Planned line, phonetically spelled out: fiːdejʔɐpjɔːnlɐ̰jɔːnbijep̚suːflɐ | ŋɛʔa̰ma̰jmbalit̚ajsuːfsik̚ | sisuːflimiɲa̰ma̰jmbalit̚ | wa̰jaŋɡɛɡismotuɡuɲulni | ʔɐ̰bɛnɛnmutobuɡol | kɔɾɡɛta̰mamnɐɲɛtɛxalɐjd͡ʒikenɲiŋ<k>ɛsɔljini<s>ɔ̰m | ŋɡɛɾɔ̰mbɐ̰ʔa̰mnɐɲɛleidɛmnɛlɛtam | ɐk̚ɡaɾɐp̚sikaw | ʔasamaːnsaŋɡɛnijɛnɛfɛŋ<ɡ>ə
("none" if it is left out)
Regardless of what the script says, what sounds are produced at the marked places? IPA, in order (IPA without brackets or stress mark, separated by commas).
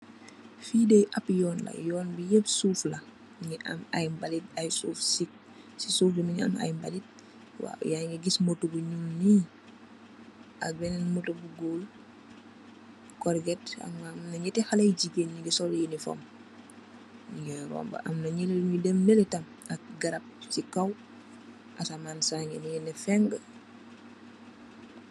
ɡ, f, ɡ